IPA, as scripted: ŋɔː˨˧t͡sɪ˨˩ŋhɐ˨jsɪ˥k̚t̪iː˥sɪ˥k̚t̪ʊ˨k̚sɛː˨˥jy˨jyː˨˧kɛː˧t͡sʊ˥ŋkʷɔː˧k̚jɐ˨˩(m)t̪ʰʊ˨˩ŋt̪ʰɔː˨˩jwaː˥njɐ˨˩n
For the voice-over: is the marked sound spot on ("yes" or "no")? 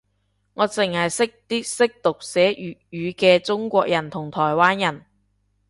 no